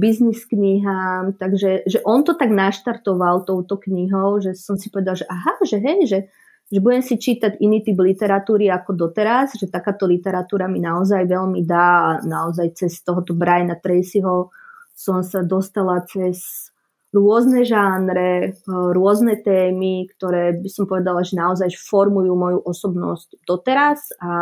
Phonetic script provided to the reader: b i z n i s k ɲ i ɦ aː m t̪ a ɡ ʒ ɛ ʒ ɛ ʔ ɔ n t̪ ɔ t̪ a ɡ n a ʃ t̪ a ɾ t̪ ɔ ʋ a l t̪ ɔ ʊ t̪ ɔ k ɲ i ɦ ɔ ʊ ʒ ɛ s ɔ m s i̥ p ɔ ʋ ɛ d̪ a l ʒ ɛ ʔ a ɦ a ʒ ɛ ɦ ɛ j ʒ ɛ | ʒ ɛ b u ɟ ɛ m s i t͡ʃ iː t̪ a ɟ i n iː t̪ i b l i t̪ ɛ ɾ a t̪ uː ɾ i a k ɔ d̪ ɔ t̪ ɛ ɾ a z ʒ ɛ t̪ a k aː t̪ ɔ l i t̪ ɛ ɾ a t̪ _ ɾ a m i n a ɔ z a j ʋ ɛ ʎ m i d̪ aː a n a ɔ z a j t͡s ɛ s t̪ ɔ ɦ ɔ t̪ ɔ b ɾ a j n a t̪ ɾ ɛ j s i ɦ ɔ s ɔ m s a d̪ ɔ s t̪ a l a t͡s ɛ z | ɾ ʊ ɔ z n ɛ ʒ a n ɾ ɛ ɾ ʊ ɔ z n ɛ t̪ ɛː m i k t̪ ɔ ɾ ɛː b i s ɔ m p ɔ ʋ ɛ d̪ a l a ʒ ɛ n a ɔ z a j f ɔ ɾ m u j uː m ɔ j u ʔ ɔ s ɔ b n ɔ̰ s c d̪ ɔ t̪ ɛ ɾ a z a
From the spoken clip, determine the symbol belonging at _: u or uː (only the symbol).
uː